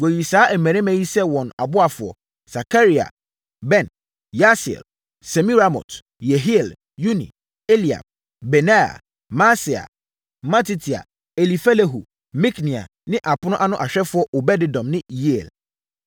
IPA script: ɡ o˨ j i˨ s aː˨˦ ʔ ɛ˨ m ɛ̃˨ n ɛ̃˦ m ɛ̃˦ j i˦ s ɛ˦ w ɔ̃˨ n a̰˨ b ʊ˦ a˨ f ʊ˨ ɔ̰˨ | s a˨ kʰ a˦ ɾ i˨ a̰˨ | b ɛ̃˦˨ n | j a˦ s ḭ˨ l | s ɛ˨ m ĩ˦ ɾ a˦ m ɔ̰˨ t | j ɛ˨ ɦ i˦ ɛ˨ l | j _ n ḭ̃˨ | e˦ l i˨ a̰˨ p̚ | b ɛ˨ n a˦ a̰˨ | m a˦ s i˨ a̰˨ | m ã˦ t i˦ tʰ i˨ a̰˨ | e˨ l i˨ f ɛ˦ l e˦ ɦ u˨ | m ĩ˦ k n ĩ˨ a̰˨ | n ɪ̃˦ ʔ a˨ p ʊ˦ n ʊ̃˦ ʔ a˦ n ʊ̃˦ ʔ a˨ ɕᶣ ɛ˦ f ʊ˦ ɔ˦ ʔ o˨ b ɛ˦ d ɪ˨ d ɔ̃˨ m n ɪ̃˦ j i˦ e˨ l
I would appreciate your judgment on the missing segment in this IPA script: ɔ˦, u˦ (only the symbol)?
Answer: u˦